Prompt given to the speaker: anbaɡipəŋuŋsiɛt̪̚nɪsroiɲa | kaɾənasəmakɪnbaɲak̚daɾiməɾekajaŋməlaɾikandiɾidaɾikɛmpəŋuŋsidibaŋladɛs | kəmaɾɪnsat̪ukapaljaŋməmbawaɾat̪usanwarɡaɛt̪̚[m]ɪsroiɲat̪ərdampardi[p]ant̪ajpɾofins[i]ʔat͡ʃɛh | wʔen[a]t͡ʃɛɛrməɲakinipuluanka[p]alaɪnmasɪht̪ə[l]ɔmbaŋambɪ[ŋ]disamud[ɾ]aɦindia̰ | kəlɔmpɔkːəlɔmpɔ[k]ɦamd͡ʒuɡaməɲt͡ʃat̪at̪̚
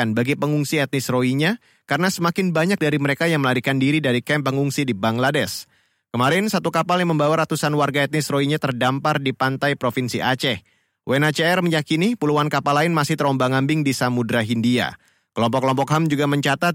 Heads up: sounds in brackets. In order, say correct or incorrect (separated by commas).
incorrect, correct, correct, correct, correct, incorrect, correct, correct, correct